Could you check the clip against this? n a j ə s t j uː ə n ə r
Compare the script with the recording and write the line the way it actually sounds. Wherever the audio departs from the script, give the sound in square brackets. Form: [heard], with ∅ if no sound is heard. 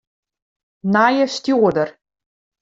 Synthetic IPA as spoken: n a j ə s t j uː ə [d] ə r